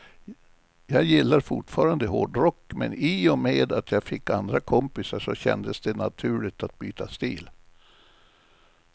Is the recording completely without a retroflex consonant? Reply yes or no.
no